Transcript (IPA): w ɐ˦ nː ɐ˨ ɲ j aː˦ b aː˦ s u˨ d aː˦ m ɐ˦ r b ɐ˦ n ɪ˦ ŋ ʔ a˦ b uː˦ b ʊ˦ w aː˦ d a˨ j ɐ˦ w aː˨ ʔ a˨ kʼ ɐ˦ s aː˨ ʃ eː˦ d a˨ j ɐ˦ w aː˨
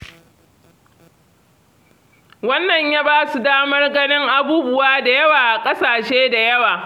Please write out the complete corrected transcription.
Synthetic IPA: w ɐ˦ nː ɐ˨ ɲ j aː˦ b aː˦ s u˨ d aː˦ m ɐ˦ r ɡ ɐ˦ n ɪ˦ ŋ ʔ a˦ b uː˦ b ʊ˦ w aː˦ d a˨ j ɐ˦ w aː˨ ʔ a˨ kʼ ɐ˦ s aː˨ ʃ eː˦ d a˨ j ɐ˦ w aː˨